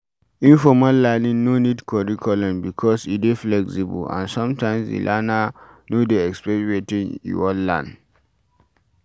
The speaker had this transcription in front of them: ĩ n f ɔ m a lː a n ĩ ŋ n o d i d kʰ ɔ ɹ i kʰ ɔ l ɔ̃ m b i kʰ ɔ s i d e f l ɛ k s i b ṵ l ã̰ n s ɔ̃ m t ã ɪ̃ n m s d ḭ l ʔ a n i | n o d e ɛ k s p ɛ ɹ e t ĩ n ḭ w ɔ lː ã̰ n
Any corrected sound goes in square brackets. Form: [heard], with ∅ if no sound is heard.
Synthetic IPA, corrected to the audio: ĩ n f ɔ m a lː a n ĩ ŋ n o [n] i d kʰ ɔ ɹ i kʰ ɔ l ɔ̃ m b i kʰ ɔ s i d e f l ɛ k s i b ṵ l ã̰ n s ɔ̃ m t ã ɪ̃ [∅] m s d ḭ l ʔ a n [a] | n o d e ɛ k s p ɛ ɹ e t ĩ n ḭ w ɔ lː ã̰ n